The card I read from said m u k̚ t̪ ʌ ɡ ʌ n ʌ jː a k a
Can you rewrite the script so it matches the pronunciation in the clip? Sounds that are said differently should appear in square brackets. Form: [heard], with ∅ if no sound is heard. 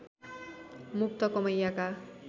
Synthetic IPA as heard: m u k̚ t̪ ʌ [k] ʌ [m] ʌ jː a k a